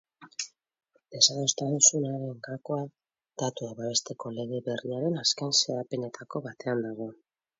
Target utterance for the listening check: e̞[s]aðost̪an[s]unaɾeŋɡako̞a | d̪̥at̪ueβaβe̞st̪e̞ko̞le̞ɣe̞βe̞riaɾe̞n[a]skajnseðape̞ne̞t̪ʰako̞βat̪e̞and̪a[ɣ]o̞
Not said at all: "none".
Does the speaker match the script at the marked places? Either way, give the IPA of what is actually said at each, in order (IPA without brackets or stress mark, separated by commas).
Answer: s, s, a, ɣ